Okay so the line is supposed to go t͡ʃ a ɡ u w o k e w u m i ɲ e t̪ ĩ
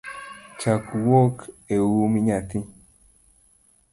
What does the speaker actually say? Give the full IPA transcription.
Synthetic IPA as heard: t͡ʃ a k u w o k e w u m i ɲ a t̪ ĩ